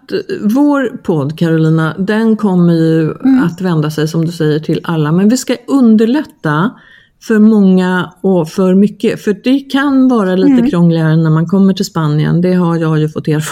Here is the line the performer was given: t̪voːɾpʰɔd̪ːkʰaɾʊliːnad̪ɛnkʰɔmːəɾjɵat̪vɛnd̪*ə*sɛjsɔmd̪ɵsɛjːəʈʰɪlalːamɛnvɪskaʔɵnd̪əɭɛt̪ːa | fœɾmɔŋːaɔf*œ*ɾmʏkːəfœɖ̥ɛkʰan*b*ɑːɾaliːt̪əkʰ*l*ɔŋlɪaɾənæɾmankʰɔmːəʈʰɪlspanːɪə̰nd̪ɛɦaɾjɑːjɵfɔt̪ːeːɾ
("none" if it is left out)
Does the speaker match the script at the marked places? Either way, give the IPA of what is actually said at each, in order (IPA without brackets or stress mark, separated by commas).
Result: a, œ, v, ɾ